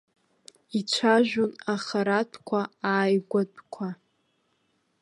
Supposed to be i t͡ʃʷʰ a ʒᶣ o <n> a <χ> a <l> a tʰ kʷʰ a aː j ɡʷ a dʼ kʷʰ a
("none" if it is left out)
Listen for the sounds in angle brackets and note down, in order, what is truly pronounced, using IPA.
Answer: n, χ, ɾ

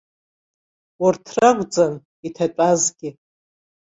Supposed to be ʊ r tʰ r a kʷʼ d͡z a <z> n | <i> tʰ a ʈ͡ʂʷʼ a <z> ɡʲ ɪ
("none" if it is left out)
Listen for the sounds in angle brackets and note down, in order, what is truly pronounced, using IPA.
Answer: none, i, z

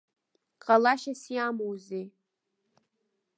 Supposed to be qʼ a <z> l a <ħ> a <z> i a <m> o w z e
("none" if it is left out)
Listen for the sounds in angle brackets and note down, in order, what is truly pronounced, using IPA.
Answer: none, ʃ, s, m

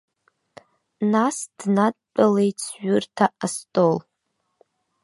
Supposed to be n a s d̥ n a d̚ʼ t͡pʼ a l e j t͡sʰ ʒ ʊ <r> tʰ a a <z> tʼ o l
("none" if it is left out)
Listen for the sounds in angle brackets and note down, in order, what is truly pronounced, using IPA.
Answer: r, s

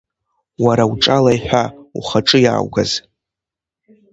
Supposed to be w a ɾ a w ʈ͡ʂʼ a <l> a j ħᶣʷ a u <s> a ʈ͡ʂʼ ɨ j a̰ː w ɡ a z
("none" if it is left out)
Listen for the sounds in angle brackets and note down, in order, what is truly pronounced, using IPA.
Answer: l, χ

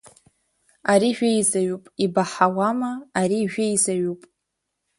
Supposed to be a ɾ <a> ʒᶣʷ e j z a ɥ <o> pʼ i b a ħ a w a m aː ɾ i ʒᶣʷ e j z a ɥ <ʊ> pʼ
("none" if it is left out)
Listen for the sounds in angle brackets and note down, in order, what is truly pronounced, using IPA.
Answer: i, u, u

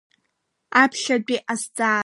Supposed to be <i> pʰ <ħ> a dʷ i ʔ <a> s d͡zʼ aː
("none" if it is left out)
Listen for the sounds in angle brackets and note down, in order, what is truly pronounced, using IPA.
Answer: a, ʃ, a

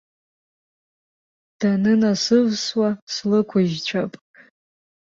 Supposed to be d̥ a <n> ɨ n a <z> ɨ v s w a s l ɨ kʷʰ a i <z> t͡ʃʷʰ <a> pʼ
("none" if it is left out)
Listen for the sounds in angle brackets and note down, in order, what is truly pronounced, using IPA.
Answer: n, s, ʒ, a

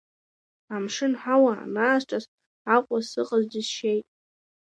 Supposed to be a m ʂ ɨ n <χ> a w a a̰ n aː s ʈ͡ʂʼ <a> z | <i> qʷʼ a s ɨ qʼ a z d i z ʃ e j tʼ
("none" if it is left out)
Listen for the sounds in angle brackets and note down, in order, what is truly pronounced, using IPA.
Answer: ħ, a, a

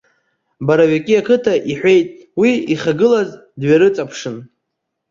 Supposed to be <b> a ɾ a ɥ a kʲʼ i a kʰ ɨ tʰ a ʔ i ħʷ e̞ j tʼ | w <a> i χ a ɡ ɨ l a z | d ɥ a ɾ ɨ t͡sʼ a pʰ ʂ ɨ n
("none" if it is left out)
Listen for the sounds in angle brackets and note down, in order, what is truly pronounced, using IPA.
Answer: b, i

